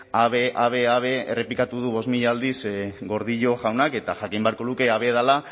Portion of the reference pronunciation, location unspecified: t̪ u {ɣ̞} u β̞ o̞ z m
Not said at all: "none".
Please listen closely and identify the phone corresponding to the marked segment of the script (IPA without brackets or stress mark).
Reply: ð̞